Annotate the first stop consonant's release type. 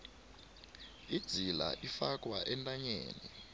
plain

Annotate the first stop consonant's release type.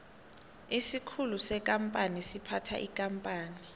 aspirated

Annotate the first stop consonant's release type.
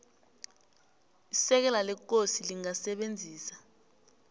plain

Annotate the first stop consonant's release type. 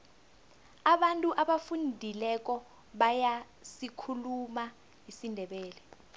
implosive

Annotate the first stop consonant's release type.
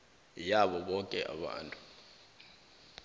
implosive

